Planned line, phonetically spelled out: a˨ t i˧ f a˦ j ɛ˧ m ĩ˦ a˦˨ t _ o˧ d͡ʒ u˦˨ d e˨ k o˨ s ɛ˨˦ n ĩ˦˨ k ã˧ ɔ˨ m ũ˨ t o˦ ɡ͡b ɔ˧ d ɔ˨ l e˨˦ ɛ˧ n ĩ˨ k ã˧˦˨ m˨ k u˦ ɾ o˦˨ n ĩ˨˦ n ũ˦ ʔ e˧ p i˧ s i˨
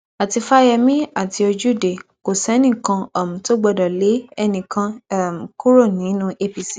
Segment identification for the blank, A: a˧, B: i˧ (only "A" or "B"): B